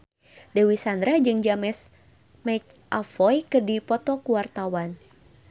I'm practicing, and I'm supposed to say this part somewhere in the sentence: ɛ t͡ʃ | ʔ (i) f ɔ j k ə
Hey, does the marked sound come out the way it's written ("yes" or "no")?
no